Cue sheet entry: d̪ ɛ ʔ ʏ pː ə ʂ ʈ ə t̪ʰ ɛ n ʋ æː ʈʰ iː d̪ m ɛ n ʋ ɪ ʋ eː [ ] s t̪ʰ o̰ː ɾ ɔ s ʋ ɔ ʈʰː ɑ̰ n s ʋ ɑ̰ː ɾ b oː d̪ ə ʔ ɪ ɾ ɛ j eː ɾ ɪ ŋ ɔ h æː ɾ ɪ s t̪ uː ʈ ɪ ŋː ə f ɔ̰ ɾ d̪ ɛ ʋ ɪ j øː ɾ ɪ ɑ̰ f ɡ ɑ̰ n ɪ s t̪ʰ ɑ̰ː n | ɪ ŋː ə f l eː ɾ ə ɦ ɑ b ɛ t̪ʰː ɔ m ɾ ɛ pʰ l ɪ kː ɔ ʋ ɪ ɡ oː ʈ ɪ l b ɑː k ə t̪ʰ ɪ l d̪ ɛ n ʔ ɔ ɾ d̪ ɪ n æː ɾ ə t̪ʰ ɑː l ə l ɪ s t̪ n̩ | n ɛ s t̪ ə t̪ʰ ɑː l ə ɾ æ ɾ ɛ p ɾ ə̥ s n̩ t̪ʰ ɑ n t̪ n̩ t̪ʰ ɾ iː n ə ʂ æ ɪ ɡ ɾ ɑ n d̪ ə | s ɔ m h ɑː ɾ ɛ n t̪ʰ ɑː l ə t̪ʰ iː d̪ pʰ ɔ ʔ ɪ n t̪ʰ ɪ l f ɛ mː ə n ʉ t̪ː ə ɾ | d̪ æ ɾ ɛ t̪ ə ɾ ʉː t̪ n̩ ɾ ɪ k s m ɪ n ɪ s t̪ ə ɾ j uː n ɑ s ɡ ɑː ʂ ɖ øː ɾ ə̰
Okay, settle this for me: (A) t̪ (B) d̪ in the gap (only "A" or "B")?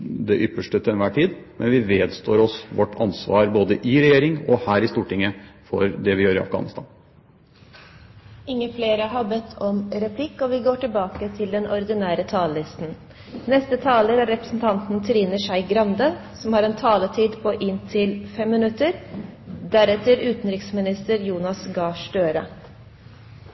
B